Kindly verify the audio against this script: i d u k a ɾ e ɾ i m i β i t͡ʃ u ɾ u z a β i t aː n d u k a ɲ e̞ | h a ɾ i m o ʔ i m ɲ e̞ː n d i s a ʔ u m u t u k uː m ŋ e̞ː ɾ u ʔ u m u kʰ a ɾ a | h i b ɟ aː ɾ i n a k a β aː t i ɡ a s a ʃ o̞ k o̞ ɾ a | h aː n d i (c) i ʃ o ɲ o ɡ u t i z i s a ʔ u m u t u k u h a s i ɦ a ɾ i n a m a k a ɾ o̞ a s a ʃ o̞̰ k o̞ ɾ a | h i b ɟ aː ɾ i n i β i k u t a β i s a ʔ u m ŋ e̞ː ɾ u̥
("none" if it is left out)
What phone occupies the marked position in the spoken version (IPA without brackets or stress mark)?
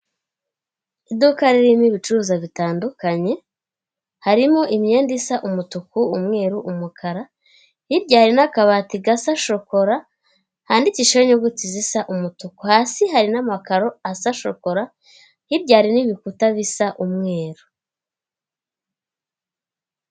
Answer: c